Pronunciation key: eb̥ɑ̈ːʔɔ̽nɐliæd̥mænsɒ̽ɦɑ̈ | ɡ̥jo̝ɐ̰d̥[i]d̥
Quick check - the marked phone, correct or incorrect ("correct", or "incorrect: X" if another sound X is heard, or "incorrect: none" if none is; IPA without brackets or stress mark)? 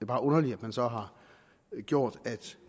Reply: incorrect: æ